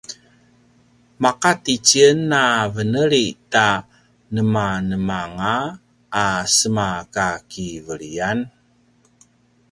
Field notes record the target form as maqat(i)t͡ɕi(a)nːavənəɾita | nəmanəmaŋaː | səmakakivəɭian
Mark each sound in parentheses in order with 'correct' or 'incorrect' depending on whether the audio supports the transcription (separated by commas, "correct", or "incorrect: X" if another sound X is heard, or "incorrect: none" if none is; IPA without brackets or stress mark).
correct, incorrect: ə